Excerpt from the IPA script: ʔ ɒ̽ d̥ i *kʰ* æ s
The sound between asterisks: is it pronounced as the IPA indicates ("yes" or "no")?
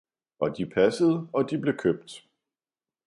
no